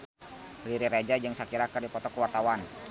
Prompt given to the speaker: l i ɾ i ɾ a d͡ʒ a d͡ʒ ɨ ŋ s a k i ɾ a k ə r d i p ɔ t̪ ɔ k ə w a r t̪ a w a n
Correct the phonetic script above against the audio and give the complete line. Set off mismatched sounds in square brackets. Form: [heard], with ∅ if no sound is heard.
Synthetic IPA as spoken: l i ɾ i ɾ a d͡ʒ a d͡ʒ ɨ ŋ s a k i ɾ a k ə r d i p ɔ t̪ ɔ k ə w a r t̪ a w a n